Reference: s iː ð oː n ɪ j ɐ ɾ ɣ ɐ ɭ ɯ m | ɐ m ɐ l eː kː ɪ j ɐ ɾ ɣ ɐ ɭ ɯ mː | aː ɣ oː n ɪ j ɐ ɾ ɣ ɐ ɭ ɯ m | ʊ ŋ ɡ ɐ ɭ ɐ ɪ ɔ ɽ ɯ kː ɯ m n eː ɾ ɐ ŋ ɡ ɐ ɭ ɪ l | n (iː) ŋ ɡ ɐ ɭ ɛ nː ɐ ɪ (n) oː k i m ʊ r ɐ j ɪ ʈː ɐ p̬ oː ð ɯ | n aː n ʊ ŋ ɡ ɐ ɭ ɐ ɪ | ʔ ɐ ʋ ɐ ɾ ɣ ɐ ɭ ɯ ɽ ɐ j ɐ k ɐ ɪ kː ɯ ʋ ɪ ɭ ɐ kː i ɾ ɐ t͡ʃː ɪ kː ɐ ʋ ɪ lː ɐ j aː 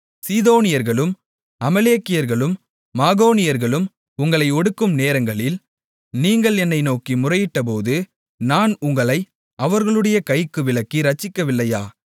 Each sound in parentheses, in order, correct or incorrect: correct, correct

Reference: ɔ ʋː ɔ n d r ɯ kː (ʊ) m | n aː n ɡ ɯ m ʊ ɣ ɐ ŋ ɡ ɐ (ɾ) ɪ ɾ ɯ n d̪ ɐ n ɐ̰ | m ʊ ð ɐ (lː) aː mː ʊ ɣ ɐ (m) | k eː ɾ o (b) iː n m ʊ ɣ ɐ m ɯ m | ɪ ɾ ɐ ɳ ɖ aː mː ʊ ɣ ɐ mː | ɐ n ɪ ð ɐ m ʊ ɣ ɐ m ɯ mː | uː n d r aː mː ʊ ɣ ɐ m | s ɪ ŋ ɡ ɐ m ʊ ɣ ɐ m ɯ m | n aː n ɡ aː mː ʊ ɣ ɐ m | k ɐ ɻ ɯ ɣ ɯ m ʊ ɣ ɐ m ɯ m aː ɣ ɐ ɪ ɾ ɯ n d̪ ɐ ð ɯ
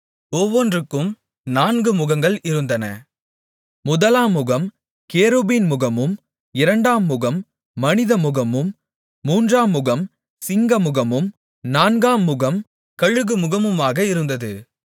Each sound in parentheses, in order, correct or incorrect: incorrect: ɯ, incorrect: ɭ, incorrect: l, correct, correct

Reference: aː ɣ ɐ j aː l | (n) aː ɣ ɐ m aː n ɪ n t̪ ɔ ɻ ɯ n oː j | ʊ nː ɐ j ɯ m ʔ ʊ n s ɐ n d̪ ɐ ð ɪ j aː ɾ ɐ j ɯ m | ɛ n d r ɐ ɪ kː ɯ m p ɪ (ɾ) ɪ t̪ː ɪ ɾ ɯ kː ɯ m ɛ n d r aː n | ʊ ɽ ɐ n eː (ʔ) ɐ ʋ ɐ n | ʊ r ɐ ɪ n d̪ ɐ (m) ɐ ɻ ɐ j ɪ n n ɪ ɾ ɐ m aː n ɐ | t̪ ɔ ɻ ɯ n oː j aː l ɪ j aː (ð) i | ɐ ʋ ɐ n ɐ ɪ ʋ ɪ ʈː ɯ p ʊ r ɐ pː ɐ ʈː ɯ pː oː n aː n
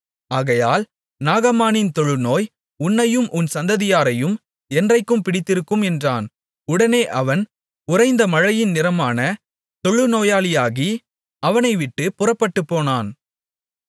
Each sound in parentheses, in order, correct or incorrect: correct, incorrect: ɽ, correct, correct, incorrect: ɣ

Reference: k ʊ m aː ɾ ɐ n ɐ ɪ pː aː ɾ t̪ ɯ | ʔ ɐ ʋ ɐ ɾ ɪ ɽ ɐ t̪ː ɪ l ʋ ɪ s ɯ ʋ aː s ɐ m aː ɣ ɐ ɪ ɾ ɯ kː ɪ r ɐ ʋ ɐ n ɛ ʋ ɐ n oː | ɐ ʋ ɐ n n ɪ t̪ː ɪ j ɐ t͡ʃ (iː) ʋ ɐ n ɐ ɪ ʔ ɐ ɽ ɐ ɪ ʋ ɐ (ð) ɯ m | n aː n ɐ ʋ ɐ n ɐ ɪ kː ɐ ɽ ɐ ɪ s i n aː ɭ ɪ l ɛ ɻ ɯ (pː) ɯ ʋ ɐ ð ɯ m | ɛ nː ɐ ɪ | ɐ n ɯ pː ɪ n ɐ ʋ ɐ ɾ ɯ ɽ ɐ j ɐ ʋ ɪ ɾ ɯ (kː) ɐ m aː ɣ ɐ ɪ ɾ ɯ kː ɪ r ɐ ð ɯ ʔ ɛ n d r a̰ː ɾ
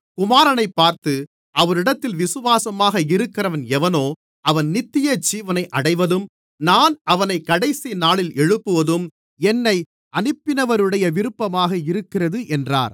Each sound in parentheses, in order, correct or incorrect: correct, correct, correct, incorrect: pː

